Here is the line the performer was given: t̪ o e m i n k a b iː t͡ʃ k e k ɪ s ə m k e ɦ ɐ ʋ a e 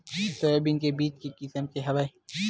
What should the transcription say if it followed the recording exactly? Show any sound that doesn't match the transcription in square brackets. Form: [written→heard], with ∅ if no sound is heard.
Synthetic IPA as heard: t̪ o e [m→b] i n k [a→e] b iː t͡ʃ k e k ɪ s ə m k e ɦ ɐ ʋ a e